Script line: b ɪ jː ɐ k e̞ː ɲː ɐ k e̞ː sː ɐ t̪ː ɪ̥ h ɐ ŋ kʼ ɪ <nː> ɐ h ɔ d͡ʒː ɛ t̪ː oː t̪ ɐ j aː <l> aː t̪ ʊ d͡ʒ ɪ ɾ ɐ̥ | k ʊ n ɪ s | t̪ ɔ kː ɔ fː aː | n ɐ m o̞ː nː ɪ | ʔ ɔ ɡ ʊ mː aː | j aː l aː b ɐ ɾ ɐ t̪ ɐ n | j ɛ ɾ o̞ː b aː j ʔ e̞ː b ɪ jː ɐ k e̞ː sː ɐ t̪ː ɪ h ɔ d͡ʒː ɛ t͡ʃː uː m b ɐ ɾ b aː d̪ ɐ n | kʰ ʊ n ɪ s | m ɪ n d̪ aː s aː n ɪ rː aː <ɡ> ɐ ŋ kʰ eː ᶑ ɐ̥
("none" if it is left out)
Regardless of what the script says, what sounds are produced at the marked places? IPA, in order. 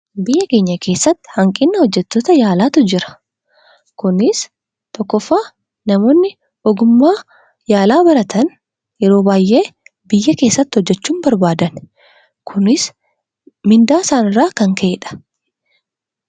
nː, l, k

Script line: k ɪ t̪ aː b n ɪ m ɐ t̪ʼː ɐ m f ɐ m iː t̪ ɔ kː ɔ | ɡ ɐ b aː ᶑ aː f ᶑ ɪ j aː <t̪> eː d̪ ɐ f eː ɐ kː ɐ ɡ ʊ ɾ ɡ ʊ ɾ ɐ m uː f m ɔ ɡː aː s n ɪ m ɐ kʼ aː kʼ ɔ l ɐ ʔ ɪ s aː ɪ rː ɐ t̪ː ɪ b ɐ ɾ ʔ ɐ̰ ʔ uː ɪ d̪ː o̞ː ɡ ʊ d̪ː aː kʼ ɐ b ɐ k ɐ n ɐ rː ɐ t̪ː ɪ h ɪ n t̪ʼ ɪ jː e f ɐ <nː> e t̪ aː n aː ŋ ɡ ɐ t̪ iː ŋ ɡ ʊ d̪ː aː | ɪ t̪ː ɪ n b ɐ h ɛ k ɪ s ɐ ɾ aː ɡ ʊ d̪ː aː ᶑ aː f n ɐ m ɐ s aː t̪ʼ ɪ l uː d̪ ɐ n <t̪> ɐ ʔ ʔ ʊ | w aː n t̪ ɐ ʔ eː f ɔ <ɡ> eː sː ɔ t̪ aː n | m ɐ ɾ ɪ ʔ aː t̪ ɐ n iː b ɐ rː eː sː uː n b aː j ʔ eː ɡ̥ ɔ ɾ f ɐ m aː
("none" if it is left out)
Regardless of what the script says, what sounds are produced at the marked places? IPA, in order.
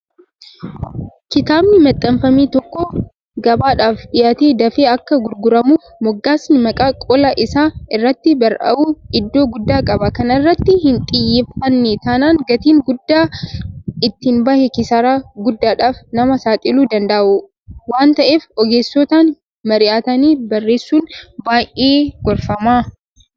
t̪, nː, d̪, ɡ

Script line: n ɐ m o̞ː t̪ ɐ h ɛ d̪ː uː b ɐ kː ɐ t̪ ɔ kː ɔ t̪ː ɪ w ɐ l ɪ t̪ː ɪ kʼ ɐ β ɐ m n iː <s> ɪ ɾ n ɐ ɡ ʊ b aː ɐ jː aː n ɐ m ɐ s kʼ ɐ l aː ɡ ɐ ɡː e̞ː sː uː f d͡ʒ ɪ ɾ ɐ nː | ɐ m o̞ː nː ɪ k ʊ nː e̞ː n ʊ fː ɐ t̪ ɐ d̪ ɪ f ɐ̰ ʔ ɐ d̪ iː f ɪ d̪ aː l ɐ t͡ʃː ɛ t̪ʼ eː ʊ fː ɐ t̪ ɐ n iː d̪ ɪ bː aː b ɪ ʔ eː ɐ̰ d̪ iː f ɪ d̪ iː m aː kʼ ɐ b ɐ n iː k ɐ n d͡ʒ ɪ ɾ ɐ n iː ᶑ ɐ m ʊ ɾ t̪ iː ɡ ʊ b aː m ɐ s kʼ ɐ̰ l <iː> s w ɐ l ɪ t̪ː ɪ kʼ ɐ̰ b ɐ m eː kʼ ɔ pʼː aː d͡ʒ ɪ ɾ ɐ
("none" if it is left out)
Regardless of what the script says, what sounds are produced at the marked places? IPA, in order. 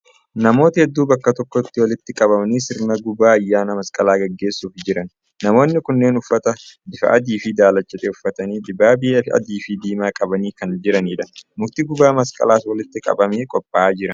s, aː

